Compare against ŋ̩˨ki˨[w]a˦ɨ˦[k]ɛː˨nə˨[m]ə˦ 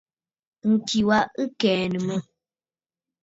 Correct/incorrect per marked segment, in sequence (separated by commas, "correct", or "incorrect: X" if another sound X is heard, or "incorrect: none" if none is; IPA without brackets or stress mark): correct, correct, correct